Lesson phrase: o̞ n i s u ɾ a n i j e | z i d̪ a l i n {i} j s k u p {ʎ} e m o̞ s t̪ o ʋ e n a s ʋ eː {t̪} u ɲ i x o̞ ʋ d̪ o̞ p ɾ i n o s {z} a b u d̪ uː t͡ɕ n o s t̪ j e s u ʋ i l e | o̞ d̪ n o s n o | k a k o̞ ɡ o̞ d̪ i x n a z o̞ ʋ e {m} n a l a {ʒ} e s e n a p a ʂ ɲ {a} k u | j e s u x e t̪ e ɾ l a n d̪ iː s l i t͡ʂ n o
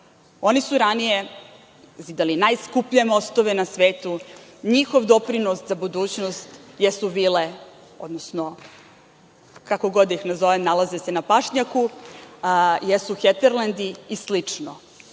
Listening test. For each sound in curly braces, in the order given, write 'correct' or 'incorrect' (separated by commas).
incorrect, correct, correct, correct, correct, incorrect, correct